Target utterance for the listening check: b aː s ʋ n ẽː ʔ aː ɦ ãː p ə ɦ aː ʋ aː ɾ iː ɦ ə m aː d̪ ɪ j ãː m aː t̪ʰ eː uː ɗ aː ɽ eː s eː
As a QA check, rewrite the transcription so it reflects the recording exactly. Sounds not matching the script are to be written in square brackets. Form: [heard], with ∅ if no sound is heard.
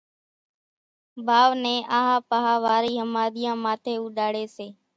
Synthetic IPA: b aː [∅] ʋ n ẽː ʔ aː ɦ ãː p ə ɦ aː ʋ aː ɾ iː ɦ ə m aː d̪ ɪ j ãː m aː t̪ʰ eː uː ɗ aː ɽ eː s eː